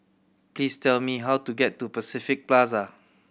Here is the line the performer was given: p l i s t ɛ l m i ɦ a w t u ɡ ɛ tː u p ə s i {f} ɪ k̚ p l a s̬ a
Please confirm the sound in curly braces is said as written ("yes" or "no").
yes